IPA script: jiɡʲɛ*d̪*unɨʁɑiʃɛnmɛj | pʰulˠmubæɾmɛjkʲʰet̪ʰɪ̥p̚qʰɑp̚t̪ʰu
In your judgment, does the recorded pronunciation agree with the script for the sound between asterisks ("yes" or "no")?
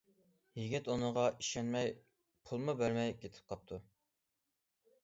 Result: no